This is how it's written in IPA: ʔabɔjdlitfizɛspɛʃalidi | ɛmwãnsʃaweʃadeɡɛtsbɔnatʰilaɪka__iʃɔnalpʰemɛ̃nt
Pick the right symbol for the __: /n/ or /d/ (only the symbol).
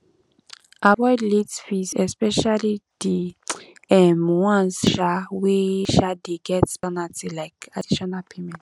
d